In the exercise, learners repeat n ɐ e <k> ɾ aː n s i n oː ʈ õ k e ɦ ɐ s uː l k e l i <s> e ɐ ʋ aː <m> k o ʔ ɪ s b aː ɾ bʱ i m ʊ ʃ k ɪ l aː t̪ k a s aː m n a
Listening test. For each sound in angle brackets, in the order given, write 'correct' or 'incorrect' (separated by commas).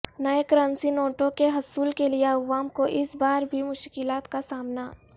correct, incorrect, correct